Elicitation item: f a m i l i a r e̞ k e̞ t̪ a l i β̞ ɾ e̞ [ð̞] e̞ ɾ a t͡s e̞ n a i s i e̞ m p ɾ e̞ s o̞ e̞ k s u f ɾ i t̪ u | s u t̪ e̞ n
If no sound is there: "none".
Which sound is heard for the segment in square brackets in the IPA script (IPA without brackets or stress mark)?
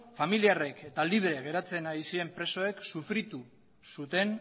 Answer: ɣ̞